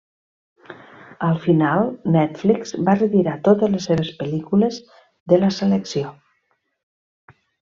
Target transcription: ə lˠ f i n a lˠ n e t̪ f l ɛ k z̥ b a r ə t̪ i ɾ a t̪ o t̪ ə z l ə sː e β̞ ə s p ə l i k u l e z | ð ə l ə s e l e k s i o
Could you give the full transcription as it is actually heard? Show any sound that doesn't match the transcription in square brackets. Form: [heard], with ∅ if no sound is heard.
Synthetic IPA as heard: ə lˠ f i n a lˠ n [ɛ] t̪ f l [i] k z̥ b a r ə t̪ i ɾ a t̪ o t̪ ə z l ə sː e β̞ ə s p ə l i k u l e z | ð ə l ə s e l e k s i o